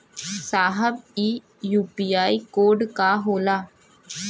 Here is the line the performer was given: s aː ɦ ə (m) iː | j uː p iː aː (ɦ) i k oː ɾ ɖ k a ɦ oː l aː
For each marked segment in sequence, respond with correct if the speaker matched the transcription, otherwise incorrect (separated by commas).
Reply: incorrect, incorrect